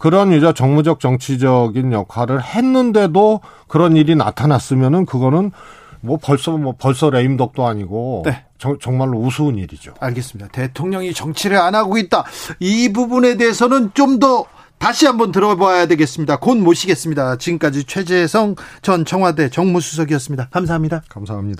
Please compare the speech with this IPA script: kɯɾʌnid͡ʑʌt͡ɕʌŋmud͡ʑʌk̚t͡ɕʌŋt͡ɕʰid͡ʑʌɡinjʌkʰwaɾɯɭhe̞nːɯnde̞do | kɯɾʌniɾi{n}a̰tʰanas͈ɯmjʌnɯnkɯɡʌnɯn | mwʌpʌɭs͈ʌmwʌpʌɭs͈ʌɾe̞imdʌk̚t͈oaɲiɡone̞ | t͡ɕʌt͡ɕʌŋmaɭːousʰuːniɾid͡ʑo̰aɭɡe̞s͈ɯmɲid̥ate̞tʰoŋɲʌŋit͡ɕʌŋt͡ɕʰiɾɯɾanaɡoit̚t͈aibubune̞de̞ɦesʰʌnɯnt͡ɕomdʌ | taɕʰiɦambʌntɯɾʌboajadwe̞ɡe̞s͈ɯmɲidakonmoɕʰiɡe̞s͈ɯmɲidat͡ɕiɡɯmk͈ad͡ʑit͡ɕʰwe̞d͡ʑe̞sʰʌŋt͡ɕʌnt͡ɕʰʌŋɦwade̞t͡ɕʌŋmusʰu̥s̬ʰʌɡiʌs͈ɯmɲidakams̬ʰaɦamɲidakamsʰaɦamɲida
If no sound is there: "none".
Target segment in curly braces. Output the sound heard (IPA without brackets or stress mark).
n